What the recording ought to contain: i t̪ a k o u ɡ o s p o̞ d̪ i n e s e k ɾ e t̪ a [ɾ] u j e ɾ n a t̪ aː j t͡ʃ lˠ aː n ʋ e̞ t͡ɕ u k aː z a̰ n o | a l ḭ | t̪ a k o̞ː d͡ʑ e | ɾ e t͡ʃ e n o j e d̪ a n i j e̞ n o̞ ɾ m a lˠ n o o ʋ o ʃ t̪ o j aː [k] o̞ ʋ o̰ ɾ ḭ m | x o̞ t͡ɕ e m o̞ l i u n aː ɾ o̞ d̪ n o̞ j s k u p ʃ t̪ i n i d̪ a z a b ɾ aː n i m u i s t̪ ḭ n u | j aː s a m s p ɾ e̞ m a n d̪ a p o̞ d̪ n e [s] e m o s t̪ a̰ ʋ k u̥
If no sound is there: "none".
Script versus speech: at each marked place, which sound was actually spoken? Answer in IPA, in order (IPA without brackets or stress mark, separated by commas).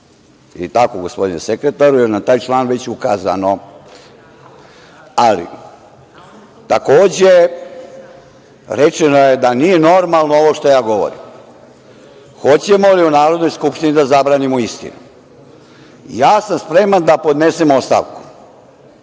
ɾ, ɡ, s